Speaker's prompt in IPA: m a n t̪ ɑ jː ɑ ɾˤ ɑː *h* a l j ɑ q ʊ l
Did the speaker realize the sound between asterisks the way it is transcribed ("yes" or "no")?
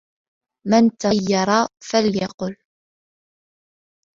no